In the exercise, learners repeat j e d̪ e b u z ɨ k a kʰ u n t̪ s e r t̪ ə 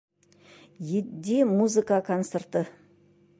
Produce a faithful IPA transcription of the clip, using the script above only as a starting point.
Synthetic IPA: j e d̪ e m u z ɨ k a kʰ o n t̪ s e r t̪ ə